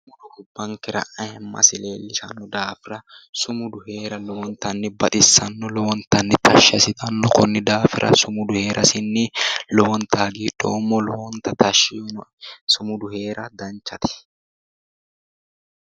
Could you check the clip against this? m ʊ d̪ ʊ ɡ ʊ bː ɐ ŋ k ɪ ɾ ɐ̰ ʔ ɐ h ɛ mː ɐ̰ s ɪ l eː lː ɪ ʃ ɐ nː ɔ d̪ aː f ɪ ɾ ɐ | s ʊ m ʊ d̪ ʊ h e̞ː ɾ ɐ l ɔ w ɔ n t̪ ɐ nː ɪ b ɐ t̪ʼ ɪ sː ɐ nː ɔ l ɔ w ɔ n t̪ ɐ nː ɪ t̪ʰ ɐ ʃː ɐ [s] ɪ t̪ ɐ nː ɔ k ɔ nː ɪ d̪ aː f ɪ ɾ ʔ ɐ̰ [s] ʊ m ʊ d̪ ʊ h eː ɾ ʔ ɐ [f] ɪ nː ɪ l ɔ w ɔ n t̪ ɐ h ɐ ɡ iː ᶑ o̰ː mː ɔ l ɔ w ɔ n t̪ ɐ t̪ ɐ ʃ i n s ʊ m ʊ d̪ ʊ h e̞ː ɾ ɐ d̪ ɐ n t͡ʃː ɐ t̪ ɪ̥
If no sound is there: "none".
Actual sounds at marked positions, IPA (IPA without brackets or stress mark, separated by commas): s, s, s